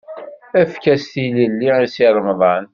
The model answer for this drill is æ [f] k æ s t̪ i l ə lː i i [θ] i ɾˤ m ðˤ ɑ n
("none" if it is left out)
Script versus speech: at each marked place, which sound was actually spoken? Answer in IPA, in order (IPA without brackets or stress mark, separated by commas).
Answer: f, s